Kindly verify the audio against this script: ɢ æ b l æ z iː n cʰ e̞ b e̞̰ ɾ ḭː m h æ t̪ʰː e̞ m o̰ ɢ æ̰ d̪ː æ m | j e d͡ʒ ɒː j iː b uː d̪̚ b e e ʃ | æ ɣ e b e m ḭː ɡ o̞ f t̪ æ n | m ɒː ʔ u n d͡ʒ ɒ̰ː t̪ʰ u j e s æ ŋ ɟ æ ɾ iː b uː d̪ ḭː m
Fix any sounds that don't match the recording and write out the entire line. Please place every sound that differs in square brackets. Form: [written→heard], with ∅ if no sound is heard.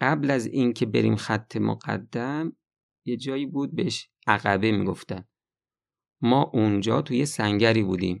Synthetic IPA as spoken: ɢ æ b l æ z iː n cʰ e̞ b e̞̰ ɾ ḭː m [h→x] æ t̪ʰː e̞ m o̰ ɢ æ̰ d̪ː æ m | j e d͡ʒ ɒː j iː b uː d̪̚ b e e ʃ | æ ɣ [e→æ] b e m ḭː ɡ o̞ f t̪ æ n | m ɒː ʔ u n d͡ʒ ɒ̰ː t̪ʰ u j e s æ ŋ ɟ æ ɾ iː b uː d̪ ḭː m